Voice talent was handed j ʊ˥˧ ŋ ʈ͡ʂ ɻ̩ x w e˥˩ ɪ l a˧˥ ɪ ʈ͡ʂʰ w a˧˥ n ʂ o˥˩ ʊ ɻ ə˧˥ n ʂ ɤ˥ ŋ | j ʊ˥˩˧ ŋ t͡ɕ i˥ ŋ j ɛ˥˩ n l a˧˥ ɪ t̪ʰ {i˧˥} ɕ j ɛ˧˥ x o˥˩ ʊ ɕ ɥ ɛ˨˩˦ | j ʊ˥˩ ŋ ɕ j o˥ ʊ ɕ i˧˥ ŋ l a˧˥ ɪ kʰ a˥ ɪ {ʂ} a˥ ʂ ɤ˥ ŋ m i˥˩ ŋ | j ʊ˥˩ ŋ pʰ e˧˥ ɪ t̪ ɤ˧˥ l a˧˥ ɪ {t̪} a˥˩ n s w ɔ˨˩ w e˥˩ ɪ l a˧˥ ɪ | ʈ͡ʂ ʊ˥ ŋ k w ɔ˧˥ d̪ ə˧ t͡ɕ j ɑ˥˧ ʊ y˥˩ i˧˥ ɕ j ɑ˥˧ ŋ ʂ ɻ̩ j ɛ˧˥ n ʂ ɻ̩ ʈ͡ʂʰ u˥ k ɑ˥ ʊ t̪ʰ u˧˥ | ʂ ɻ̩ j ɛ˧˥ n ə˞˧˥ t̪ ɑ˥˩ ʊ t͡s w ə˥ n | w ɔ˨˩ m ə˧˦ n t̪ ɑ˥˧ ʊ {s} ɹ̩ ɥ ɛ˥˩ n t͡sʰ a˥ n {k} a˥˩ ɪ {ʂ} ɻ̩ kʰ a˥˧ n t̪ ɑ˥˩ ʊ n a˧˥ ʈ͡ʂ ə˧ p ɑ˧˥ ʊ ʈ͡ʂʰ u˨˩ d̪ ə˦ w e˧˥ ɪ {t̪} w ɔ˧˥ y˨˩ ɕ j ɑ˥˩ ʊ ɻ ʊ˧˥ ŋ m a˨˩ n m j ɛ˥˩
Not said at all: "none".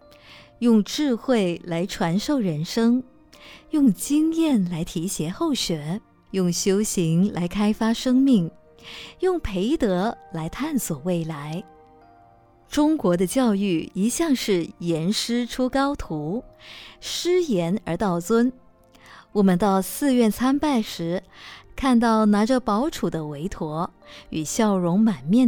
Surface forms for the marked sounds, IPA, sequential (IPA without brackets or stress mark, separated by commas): i˧˥, f, t̪ʰ, s, p, ʂ, t̪ʰ